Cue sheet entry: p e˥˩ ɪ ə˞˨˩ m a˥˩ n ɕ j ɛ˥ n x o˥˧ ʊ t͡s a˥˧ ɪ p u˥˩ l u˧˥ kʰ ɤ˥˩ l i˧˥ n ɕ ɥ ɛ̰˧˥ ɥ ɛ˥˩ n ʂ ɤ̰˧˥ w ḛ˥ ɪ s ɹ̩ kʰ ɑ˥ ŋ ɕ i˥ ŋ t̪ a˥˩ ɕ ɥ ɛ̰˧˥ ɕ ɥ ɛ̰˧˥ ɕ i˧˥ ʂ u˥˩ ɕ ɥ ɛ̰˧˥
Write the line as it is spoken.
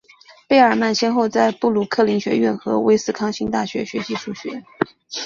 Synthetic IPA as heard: p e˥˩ ɪ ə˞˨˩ m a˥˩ n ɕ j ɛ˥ n x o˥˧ ʊ t͡s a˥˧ ɪ p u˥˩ l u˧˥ kʰ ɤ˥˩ l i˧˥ ŋ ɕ ɥ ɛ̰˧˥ ɥ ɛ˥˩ n x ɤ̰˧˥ w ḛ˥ ɪ s ɹ̩ kʰ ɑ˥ ŋ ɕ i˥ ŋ t̪ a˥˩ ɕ ɥ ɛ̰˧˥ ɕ ɥ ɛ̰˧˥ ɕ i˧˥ ʂ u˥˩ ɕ ɥ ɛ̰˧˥